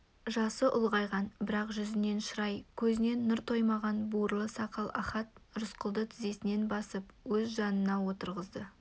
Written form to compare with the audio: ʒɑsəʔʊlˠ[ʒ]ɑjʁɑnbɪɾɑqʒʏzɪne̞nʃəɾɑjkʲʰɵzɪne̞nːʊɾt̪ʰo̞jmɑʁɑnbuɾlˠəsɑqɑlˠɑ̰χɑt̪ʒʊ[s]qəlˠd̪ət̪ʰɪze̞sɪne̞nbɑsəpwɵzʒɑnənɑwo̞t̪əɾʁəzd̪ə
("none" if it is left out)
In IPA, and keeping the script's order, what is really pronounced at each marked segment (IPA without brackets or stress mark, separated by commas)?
ʁ, s